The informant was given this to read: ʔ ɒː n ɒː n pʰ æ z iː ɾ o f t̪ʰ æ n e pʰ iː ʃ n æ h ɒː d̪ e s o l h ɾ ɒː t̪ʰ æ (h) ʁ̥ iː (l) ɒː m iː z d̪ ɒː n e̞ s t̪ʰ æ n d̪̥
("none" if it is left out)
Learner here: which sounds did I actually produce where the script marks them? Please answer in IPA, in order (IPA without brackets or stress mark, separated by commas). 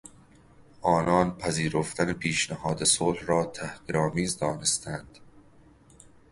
h, ɾ